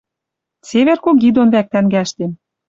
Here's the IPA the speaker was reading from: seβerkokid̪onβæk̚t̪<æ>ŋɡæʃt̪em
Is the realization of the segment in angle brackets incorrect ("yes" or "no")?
no